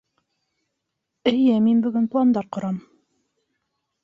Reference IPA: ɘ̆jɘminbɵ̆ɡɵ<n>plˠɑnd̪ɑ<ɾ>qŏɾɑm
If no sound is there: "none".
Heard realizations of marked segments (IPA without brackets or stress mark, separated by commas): n, ɾ